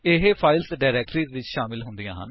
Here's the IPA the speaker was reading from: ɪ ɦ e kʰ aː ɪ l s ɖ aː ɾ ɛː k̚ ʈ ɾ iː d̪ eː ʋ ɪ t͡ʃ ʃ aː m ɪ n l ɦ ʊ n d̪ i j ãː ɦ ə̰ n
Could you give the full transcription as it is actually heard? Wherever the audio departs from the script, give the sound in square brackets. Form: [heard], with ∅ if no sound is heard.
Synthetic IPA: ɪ ɦ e [pʰ] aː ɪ l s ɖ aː ɾ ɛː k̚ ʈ ɾ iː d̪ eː ʋ ɪ t͡ʃ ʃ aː m ɪ [∅] l ɦ ʊ n d̪ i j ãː ɦ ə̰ n